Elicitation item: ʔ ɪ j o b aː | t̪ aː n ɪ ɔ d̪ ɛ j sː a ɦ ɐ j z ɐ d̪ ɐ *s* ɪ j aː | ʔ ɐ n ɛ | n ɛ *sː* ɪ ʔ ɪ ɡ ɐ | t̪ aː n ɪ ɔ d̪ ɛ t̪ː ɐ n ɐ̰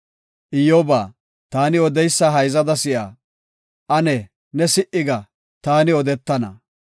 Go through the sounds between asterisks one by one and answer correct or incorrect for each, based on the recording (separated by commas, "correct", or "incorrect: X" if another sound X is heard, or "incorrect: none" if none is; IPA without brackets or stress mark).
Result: correct, incorrect: s